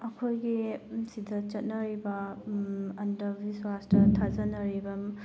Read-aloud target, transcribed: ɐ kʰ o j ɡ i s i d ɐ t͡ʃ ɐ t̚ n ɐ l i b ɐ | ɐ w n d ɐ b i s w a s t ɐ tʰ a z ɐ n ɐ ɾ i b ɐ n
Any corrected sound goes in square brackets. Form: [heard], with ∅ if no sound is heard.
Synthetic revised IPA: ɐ kʰ o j ɡ i s i d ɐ t͡ʃ ɐ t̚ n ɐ [ɾ] i b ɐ | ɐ [∅] n d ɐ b i s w a s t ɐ tʰ a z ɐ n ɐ ɾ i b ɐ [m]